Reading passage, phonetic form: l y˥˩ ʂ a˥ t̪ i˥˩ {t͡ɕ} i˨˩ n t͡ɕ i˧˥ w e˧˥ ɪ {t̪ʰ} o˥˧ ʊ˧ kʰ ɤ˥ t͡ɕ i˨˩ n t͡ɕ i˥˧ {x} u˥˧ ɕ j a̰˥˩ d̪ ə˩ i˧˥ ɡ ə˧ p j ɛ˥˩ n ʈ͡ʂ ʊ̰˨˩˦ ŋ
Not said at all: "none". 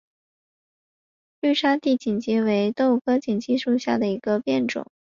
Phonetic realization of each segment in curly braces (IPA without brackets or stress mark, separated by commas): t͡ɕ, t̪, ʂ